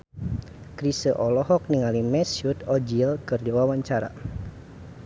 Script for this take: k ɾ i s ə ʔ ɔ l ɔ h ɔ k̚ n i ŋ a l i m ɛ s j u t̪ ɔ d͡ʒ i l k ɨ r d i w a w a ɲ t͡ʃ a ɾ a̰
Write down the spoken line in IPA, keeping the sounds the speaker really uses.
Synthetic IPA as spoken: k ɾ i s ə ʔ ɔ l ɔ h ɔ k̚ n i ŋ a l i m ɛ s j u t̪ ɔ d͡ʒ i l k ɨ r d i w a w a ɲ t͡ʃ a ɾ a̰